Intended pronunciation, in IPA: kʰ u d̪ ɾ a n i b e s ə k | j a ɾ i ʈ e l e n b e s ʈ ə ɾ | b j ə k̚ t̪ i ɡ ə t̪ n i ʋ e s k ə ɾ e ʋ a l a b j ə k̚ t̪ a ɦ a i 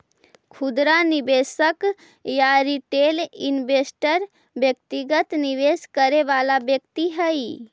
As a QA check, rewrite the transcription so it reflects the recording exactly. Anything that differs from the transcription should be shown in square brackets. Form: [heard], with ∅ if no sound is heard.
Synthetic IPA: kʰ u d̪ ɾ a n i b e s ə k | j a ɾ i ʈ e l [i] n b e s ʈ ə ɾ | b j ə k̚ t̪ i ɡ ə t̪ n i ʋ e s k ə ɾ e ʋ a l a b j ə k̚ t̪ [i] ɦ [ə] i

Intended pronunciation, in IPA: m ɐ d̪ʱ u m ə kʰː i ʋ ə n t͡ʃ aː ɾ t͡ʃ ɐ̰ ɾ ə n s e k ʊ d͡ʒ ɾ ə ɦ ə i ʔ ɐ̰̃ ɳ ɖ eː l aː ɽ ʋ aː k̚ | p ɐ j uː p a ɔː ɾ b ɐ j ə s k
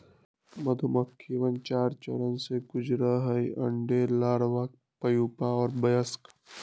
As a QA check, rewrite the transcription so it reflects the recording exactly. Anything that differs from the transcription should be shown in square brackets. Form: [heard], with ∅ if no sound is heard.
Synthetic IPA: m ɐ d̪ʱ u m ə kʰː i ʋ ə n t͡ʃ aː ɾ t͡ʃ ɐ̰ ɾ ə n s e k ʊ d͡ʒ ɾ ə ɦ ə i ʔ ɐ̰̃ ɳ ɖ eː l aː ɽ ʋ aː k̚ | p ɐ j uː p a ɔː ɾ b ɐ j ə s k

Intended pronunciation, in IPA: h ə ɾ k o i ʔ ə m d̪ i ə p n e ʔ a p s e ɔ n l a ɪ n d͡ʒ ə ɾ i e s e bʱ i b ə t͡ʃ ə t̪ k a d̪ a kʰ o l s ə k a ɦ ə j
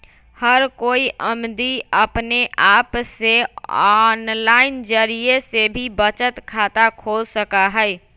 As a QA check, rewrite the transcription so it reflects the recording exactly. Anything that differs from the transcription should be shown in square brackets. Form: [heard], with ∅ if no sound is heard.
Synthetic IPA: h ə ɾ k o i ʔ ə m d̪ i ə p n e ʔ a p s e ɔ n l a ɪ n d͡ʒ ə ɾ i e s e bʱ i b ə t͡ʃ ə t̪ [kʰ] a [t̪] a kʰ o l s ə k a ɦ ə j

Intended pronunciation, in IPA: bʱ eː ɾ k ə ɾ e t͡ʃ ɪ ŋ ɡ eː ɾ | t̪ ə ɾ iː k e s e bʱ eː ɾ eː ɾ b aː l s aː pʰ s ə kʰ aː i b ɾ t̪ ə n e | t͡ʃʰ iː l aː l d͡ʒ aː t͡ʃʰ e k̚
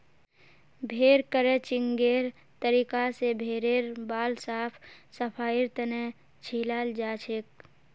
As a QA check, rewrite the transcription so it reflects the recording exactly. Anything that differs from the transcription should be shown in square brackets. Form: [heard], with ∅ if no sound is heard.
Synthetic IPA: bʱ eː ɾ k ə ɾ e t͡ʃ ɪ ŋ ɡ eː ɾ | t̪ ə ɾ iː k [a] s e bʱ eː ɾ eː ɾ b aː l s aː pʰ s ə [pʰ] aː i [∅] ɾ t̪ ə n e | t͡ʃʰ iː l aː l d͡ʒ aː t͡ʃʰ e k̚

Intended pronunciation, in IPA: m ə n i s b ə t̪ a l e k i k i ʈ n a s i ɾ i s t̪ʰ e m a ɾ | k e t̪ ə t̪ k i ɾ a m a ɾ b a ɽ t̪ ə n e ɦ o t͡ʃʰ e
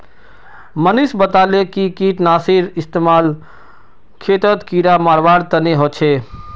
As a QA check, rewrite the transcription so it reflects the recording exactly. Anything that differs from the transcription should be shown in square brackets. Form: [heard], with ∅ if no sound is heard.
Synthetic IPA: m ə n i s b ə t̪ a l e k i k i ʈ n a s i ɾ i s [t̪] e m a [l] | [kʰ] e t̪ ə t̪ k i ɾ a m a ɾ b a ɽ t̪ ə n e ɦ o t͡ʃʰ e

